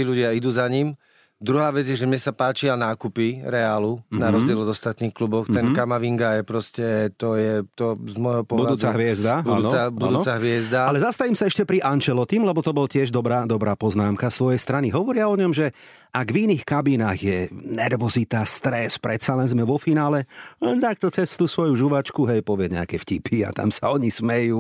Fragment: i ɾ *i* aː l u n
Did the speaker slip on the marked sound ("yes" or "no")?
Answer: yes